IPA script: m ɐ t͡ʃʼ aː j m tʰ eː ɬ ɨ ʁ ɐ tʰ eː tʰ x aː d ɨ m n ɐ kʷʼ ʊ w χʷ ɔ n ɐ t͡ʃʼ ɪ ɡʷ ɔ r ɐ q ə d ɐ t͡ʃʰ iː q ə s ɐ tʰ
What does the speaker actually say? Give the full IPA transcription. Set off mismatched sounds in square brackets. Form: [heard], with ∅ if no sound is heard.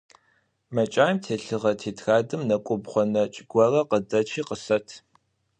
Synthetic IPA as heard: m ɐ t͡ʃʼ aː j m tʰ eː ɬ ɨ ʁ ɐ tʰ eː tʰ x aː d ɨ m n ɐ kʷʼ ʊ [b] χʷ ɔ n ɐ t͡ʃʼ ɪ ɡʷ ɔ r ɐ q ə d ɐ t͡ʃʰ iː q ə s ɐ tʰ

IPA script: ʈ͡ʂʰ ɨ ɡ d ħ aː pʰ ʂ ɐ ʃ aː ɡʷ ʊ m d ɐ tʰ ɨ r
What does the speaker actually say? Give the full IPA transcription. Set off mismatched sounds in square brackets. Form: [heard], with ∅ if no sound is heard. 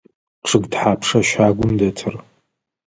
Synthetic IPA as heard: ʈ͡ʂʰ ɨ ɡ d ħ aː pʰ ʂ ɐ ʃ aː ɡʷ ʊ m d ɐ tʰ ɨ r

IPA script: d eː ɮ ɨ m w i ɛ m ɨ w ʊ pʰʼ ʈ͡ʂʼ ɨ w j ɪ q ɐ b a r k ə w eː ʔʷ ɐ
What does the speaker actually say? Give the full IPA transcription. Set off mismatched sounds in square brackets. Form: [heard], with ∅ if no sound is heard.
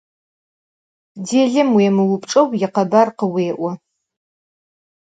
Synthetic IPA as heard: d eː ɮ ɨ m w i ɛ m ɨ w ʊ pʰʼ ʈ͡ʂʼ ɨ w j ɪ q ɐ b a r [q] ə w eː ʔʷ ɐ

